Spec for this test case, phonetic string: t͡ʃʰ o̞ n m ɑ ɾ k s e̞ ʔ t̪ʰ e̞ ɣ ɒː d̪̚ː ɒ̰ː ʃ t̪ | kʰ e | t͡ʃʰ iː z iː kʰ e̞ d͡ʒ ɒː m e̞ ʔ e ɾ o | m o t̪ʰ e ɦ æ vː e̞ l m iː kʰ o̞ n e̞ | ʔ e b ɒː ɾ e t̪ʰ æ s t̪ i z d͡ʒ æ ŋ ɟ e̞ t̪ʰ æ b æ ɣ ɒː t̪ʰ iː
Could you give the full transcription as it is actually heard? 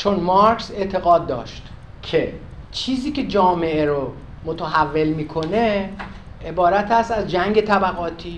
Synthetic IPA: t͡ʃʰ o̞ n m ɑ ɾ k s e̞ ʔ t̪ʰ e̞ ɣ ɒː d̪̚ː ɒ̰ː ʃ t̪ | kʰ e | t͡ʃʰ iː z iː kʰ e̞ d͡ʒ ɒː m e̞ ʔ e ɾ o | m o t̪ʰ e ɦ æ vː e̞ l m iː kʰ o̞ n e̞ | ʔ e b ɒː ɾ æ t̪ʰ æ s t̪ æ z d͡ʒ æ ŋ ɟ e̞ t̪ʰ æ b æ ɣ ɒː t̪ʰ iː